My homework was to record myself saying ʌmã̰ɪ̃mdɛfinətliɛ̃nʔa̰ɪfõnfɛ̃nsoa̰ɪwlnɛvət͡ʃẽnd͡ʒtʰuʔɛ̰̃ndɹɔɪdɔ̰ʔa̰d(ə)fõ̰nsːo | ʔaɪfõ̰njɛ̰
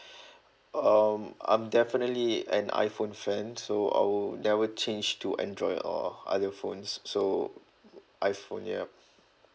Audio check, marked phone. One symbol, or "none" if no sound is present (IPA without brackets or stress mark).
ə